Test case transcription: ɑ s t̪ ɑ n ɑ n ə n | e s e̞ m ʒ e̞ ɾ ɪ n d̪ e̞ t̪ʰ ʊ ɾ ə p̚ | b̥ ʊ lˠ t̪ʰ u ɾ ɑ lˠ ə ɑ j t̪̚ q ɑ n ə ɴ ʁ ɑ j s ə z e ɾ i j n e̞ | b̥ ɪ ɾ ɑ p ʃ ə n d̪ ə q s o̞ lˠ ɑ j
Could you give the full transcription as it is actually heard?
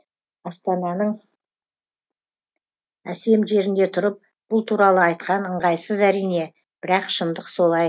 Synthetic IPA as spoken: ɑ s t̪ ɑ n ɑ n ə ɴ | æ s e̞ m ʒ e̞ ɾ ɪ n d̪ e̞ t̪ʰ ʊ ɾ ə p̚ | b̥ ʊ lˠ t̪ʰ u ɾ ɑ lˠ ə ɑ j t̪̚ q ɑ n ə ɴ ʁ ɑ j s ə z æ ɾ i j n e̞ | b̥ ɪ ɾ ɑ q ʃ ə n d̪ ə q s o̞ lˠ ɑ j